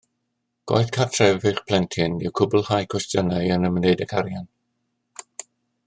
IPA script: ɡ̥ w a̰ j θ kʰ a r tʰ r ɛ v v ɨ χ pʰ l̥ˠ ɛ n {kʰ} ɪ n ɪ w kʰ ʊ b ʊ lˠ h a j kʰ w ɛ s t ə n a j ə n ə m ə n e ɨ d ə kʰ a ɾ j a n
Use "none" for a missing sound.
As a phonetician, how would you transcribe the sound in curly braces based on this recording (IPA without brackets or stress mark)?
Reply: tʰ